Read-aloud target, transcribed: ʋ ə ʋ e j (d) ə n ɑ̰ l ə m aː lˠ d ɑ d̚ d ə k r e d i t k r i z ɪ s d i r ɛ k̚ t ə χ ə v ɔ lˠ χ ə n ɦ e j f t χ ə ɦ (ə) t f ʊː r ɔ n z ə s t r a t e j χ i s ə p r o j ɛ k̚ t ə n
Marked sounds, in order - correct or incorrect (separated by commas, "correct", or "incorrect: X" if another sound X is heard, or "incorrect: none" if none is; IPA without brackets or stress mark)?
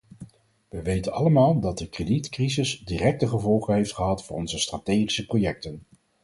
incorrect: t, incorrect: ɑ